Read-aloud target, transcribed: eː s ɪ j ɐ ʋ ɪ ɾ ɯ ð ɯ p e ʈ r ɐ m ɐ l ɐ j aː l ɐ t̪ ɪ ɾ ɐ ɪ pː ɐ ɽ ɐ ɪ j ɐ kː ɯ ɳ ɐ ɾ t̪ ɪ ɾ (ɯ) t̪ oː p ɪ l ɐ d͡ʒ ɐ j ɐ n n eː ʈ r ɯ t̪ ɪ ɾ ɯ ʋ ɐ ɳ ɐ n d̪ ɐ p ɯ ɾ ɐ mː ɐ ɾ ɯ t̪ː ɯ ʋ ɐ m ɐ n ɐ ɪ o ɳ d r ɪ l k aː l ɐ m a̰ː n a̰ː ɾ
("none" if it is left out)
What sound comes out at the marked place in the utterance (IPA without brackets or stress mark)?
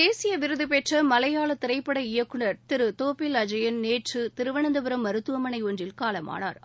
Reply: ɯ